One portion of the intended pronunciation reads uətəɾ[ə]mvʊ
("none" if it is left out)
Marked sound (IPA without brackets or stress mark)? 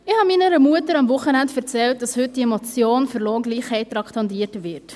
ɑ